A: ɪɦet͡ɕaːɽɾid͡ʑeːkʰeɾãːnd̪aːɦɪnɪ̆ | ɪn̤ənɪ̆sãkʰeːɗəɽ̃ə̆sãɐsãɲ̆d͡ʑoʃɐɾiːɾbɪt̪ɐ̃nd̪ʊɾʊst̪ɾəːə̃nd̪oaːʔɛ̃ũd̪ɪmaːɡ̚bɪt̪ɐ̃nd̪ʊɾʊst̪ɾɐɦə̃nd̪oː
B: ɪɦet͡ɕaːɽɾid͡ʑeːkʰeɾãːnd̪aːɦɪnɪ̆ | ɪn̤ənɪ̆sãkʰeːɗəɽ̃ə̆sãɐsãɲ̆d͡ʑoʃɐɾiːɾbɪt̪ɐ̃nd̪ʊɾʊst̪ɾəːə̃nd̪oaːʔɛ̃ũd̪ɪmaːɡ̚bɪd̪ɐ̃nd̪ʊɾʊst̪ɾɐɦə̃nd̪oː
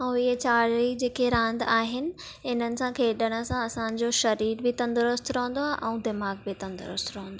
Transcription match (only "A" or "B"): A